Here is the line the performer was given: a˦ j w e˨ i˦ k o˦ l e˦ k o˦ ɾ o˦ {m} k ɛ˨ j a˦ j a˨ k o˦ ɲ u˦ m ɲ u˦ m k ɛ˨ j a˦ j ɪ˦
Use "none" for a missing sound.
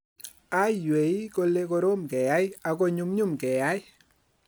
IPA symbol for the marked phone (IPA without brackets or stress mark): m